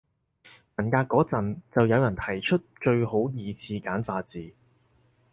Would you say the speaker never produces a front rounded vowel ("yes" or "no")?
yes